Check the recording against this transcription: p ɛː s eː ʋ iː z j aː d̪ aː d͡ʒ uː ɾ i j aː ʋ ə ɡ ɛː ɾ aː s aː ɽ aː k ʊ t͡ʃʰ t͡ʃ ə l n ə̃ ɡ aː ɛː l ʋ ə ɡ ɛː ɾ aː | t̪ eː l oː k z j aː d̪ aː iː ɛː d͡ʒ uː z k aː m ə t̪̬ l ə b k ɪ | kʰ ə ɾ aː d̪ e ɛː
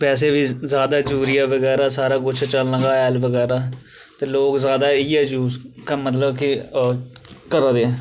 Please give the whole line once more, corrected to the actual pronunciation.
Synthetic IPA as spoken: p ɛː s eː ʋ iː z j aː d̪ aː d͡ʒ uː ɾ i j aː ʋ ə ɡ ɛː ɾ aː s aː ɾ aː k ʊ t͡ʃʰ t͡ʃ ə l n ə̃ ɡ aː ɛː l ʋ ə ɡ ɛː ɾ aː | t̪ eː l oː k z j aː d̪ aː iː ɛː d͡ʒ uː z k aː m ə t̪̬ l ə b k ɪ | k ə ɾ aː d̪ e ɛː

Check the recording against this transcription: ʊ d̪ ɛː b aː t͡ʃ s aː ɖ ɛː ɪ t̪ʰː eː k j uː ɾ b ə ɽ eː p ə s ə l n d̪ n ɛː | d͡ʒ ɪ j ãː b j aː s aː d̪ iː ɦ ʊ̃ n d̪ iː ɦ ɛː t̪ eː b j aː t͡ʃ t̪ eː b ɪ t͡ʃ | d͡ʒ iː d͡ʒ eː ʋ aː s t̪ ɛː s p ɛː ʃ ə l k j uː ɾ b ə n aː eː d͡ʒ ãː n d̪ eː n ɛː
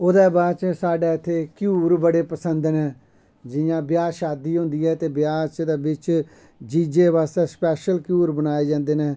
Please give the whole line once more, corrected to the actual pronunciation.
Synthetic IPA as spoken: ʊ d̪ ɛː b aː t͡ʃ s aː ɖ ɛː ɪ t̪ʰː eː k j uː ɾ b ə ɽ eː p ə s ə n d̪ n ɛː | d͡ʒ ɪ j ãː b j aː ʃ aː d̪ iː ɦ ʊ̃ n d̪ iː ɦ ɛː t̪ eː b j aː t͡ʃ d̪ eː b ɪ t͡ʃ | d͡ʒ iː d͡ʒ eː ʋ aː s t̪ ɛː s p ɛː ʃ ə l k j uː ɾ b ə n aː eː d͡ʒ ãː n d̪ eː n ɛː

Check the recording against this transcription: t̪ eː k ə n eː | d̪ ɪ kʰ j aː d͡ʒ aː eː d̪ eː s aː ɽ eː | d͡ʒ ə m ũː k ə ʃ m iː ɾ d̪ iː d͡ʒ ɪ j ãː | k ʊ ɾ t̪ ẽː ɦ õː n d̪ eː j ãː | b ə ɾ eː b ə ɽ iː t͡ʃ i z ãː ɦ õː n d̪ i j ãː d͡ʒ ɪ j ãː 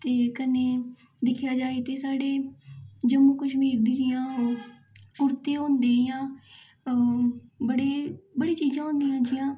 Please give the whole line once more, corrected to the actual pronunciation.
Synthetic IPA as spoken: t̪ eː k ə n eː | d̪ ɪ kʰ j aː d͡ʒ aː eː t̪ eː s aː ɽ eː | d͡ʒ ə m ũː k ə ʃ m iː ɾ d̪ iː d͡ʒ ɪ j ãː | k ʊ ɾ t̪ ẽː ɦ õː n d̪ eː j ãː | b ə ɽ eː b ə ɽ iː t͡ʃ iː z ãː ɦ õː n d̪ i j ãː d͡ʒ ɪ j ãː

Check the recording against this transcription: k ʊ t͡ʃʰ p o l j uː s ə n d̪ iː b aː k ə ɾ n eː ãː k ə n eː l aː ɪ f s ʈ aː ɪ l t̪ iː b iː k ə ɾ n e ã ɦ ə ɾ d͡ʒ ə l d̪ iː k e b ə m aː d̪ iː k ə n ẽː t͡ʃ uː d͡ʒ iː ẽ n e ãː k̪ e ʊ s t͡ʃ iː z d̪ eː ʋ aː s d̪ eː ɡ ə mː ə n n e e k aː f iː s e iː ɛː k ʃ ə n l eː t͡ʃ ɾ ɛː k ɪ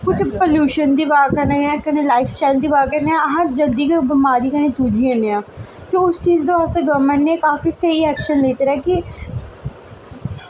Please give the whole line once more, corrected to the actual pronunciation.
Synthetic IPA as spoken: k ʊ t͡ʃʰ p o l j uː ʃ ə n d̪ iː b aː k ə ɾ n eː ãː k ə n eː l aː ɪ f s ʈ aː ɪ l d̪ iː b aː k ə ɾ n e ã ɦ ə ɾ d͡ʒ ə l d̪ iː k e b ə m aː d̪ iː k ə n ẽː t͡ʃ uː d͡ʒ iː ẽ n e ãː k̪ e ʊ s t͡ʃ iː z d̪ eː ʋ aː s t̪ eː ɡ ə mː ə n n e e k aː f iː s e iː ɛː k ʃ ə n l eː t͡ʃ ɾ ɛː k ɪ

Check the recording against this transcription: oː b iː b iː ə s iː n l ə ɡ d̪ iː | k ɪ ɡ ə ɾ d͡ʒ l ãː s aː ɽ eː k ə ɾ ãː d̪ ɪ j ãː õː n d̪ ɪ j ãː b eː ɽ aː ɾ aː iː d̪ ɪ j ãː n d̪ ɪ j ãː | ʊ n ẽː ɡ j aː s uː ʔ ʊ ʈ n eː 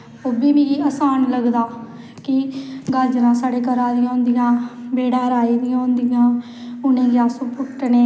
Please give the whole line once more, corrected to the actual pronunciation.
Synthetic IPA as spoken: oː b iː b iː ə s aː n l ə ɡ d̪ aː | k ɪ ɡ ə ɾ d͡ʒ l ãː s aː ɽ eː k ə ɾ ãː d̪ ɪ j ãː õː n d̪ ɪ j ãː b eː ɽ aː ɾ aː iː d̪ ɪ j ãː n d̪ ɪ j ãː | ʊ n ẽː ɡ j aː s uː p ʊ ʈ n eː

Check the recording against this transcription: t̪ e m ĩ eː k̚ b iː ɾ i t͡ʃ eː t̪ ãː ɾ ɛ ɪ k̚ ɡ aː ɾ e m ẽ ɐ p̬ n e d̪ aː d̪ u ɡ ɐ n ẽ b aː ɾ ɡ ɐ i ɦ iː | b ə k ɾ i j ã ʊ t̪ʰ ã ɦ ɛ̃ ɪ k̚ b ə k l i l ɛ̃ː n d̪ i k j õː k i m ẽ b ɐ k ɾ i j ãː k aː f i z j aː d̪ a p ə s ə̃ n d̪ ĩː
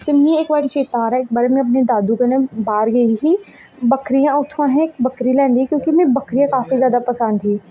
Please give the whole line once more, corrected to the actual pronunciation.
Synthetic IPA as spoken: t̪ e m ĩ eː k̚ b aː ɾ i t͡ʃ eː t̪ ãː ɾ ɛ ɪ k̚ b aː ɾ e m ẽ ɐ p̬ n e d̪ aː d̪ u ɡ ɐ n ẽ b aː ɾ ɡ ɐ i ɦ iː | b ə k ɾ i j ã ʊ t̪ʰ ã ɦ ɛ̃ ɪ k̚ b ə k ɾ i l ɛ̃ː n d̪ i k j õː k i m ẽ b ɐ k ɾ i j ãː k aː f i z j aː d̪ a p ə s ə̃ n d̪ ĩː

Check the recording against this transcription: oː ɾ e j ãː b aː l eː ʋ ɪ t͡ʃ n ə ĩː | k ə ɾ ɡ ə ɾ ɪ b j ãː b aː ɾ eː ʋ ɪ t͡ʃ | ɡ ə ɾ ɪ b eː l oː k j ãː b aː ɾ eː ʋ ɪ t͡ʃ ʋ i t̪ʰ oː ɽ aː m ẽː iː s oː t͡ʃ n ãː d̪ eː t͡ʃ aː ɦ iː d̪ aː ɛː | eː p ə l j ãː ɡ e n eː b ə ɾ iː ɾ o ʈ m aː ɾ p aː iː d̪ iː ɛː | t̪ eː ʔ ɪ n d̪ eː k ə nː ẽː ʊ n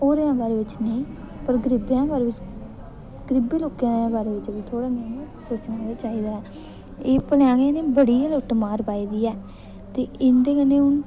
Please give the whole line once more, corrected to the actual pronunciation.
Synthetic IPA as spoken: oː ɾ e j ãː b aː ɾ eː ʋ ɪ t͡ʃ n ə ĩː | p ə ɾ ɡ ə ɾ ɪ b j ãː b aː ɾ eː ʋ ɪ t͡ʃ | ɡ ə ɾ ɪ b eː l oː k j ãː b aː ɾ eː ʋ ɪ t͡ʃ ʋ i t̪ʰ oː ɽ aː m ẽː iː s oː t͡ʃ n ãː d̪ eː t͡ʃ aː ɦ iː d̪ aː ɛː | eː p ə l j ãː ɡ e n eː b ə ɽ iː l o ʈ m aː ɾ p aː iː d̪ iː ɛː | t̪ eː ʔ ɪ n d̪ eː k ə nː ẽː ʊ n

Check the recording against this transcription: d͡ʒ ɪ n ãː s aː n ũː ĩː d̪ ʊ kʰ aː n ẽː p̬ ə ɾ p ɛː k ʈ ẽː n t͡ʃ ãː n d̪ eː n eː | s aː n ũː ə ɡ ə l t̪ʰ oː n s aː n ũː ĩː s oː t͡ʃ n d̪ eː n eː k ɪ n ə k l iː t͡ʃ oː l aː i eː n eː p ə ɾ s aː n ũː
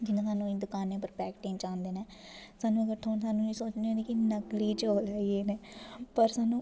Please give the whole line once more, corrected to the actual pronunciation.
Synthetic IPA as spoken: d͡ʒ ɪ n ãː s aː n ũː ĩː d̪ ʊ k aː n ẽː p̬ ə ɾ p ɛː k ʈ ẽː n t͡ʃ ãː n d̪ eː n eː | s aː n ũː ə ɡ ə ɾ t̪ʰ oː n s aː n ũː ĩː s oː t͡ʃ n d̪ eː n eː k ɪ n ə k l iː t͡ʃ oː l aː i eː n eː p ə ɾ s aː n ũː

